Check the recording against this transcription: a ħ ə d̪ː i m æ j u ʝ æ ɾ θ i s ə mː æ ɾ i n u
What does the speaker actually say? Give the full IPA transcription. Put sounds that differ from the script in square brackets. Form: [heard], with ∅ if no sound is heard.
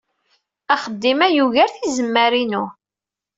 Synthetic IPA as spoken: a [χ] ə d̪ː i m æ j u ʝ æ ɾ θ i [z] ə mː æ ɾ i n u